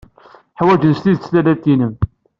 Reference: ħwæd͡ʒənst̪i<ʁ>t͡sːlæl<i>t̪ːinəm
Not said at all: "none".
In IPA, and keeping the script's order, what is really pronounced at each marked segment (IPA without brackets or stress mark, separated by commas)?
ð, æ